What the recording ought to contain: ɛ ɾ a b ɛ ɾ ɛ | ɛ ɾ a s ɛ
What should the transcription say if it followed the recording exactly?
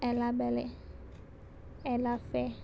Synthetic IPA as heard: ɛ l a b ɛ l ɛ | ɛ l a f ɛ